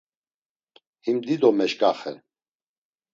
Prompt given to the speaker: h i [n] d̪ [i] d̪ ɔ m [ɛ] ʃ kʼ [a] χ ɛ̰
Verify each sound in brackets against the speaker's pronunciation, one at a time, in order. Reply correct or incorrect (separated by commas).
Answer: incorrect, correct, correct, correct